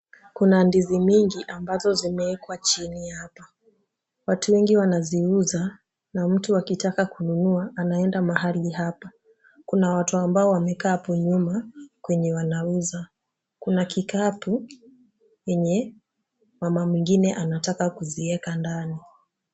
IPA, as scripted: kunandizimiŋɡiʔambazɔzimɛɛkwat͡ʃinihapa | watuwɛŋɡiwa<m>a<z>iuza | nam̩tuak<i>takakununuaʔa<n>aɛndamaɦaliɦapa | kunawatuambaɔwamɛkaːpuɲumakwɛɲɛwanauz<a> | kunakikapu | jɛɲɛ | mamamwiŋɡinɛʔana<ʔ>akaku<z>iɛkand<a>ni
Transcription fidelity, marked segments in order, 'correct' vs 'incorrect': incorrect: n, correct, correct, correct, correct, incorrect: t, correct, correct

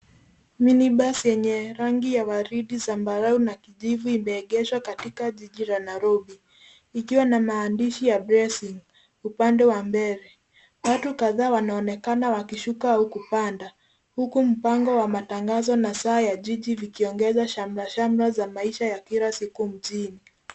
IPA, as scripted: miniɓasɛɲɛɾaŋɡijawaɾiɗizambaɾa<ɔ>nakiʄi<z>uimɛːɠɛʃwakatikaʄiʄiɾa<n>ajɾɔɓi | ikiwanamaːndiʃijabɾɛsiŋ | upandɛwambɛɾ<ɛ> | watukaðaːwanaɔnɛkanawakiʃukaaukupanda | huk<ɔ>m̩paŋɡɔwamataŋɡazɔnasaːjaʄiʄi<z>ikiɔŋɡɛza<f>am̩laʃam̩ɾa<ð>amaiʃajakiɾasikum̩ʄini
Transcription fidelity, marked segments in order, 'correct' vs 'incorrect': incorrect: u, incorrect: v, correct, correct, incorrect: u, incorrect: v, incorrect: ʃ, incorrect: z

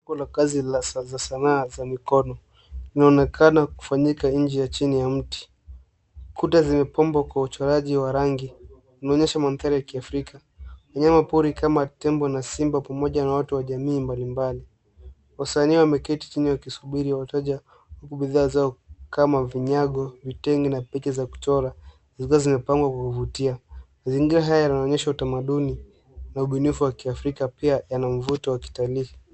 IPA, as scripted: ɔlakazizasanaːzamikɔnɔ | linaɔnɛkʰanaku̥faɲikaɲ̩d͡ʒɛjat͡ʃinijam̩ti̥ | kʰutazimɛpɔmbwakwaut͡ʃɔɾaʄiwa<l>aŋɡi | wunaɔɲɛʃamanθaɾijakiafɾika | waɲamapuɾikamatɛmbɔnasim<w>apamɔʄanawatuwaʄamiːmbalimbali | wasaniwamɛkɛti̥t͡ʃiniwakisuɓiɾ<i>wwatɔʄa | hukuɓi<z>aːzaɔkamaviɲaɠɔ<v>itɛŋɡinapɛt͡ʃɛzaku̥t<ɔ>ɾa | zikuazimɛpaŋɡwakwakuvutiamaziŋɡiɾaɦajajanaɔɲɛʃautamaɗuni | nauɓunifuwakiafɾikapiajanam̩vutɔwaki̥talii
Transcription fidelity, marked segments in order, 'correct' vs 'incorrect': incorrect: ɾ, incorrect: b, correct, incorrect: ð, correct, correct

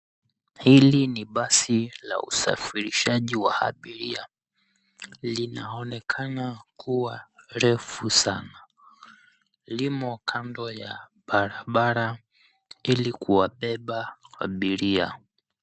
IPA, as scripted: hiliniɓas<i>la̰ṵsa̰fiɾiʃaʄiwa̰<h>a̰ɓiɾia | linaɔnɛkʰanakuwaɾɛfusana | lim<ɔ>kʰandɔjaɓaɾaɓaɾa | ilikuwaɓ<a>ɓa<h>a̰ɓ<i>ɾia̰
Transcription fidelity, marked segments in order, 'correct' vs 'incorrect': correct, correct, correct, incorrect: ɛ, correct, correct

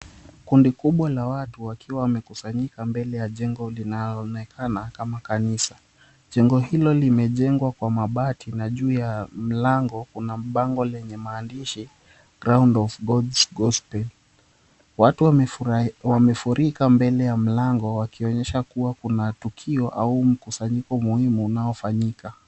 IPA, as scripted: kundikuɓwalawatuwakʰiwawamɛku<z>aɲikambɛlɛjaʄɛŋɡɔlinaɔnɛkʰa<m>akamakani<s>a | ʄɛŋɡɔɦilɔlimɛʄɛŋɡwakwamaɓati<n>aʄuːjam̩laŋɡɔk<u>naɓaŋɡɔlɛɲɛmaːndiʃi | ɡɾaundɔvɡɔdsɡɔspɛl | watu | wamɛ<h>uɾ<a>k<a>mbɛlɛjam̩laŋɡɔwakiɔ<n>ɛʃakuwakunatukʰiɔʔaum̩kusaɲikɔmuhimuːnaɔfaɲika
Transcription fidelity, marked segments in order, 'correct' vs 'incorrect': incorrect: s, incorrect: n, correct, correct, correct, incorrect: f, incorrect: i, correct, incorrect: ɲ

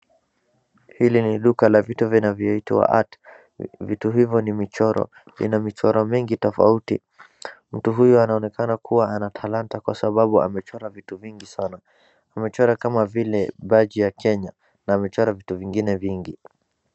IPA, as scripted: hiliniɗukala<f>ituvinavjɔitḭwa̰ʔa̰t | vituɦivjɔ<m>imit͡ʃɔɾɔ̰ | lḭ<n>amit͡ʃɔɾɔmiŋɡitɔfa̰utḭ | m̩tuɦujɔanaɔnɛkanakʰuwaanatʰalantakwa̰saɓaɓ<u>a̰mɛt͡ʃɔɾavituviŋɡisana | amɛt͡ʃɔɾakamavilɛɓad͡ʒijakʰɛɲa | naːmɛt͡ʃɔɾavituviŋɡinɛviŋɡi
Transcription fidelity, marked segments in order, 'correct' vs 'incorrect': incorrect: v, incorrect: n, correct, correct

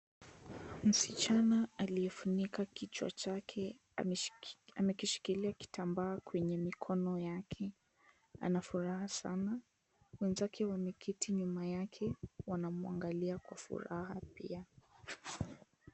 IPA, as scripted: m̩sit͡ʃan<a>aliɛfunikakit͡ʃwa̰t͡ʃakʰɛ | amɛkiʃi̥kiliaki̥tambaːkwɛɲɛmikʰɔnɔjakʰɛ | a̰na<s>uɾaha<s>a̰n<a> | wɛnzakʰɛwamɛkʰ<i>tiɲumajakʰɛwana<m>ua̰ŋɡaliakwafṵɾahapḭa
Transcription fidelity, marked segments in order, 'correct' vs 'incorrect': correct, incorrect: f, correct, correct, correct, correct

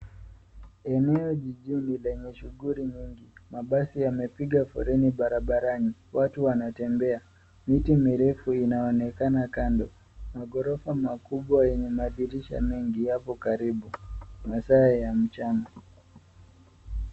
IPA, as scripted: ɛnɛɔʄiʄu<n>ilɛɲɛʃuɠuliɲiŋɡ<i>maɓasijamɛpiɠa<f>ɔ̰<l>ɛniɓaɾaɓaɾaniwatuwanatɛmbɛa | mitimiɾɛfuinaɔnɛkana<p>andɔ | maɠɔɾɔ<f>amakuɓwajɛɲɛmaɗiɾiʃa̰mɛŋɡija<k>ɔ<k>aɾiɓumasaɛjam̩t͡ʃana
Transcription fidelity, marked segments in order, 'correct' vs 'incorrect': correct, correct, correct, incorrect: ɾ, incorrect: k, correct, incorrect: p, correct

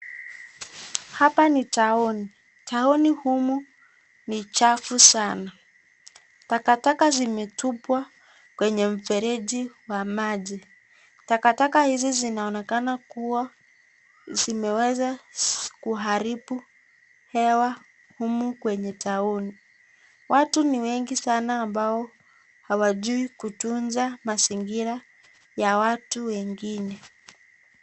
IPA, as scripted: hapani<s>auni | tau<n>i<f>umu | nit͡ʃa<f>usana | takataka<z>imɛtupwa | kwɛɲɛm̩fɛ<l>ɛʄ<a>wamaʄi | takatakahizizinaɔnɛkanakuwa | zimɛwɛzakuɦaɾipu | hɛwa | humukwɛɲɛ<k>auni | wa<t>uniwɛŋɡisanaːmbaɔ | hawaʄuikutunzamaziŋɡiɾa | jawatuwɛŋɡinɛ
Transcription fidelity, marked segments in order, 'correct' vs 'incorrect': incorrect: t, correct, incorrect: h, correct, correct, incorrect: ɾ, incorrect: i, incorrect: t, correct

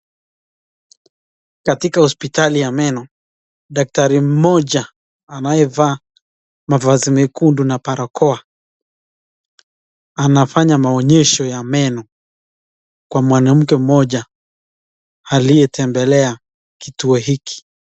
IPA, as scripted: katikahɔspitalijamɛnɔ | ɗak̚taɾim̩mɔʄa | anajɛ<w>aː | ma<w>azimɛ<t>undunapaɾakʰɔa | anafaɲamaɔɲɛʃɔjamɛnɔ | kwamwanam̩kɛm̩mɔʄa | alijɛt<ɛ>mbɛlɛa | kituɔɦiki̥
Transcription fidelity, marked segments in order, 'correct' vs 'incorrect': incorrect: v, incorrect: v, incorrect: k, correct

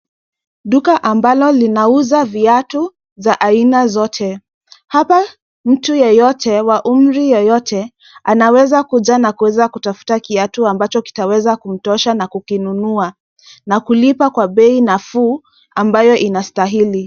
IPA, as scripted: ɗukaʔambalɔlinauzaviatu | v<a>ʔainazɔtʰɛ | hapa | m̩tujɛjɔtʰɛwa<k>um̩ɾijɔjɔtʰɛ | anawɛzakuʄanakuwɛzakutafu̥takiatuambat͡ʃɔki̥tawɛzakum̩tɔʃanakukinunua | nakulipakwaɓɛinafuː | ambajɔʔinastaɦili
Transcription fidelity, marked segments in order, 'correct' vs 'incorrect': correct, incorrect: ʔ

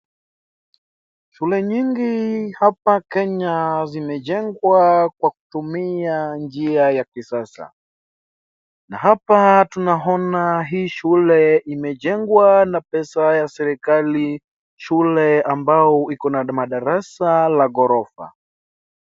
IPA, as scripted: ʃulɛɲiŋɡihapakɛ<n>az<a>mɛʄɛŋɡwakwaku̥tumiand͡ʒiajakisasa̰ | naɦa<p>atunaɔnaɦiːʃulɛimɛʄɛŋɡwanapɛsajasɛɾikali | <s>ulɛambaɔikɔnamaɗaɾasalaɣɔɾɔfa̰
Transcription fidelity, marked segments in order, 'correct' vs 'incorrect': incorrect: ɲ, incorrect: i, correct, incorrect: ʃ

